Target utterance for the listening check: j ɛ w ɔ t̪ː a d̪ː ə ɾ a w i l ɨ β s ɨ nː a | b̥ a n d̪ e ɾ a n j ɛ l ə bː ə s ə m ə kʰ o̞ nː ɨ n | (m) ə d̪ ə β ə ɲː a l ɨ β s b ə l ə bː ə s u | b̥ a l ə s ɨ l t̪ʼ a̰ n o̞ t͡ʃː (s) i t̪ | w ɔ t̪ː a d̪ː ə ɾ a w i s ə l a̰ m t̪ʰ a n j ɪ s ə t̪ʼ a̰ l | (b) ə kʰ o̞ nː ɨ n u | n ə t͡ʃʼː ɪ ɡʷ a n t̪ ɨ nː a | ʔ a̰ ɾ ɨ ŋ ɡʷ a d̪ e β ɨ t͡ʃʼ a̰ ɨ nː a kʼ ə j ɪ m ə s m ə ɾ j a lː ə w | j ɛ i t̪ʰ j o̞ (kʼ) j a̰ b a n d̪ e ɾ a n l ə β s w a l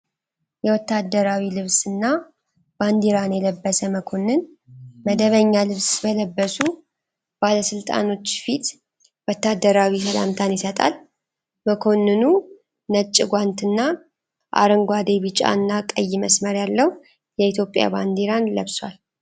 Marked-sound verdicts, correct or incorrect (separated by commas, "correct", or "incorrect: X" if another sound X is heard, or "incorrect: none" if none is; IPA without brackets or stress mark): correct, incorrect: f, incorrect: m, incorrect: pʼ